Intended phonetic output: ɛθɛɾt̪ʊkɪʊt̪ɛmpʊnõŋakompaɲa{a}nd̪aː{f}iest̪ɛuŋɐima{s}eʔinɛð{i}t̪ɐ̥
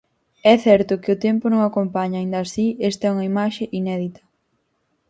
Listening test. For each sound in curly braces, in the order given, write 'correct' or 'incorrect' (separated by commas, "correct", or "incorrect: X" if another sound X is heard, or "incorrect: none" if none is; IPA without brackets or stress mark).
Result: incorrect: i, incorrect: s, incorrect: ʃ, correct